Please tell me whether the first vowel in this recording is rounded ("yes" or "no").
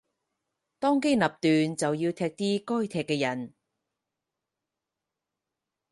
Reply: yes